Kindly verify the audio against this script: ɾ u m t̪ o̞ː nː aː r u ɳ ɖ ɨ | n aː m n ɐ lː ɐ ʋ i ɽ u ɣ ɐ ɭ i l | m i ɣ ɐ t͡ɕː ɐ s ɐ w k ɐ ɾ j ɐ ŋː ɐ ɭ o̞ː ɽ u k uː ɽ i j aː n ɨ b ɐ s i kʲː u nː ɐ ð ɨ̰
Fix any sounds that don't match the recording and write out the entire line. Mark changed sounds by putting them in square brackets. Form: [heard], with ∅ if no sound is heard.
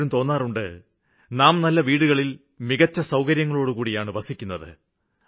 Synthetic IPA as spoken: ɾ u m t̪ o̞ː nː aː r u ɳ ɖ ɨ | n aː m n ɐ lː ɐ ʋ [iː] ɽ u ɣ ɐ ɭ i l | m i ɣ ɐ t͡ɕː ɐ s ɐ w k ɐ ɾ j ɐ ŋː ɐ ɭ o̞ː ɽ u k uː ɽ i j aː [ɳ] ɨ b ɐ s i kʲː u nː ɐ ð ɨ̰